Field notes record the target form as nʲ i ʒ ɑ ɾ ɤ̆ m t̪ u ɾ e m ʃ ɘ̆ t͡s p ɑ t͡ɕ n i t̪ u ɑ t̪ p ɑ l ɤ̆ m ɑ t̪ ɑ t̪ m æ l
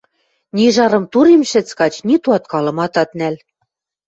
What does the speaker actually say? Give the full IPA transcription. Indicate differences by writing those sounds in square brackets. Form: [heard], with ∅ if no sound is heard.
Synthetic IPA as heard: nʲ i ʒ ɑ ɾ ɤ̆ m t̪ u ɾ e m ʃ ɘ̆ t͡s [k] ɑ t͡ɕ n i t̪ u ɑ t̪ [k] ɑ l ɤ̆ m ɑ t̪ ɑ t̪ [n] æ l